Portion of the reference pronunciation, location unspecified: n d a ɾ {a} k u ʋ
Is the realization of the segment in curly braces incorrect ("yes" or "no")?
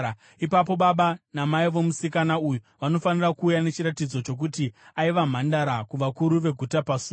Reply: no